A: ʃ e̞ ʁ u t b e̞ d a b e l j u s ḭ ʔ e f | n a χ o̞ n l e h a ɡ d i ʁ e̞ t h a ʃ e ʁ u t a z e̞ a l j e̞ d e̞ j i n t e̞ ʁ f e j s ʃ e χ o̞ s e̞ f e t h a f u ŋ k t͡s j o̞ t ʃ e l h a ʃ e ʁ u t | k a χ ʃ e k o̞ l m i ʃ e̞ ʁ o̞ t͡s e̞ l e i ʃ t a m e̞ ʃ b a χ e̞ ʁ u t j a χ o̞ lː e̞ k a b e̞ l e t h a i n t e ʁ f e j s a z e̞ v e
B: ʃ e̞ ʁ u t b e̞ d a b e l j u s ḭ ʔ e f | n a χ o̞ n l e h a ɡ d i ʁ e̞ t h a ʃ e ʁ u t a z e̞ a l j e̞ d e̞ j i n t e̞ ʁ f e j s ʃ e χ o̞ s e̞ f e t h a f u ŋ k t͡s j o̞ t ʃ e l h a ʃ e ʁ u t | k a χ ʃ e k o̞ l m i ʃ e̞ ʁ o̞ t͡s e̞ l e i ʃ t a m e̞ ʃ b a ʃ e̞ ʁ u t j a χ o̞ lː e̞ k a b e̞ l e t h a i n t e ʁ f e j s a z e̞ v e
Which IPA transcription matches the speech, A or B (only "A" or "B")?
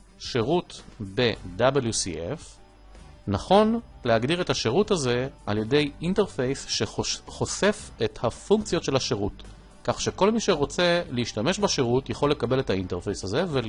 B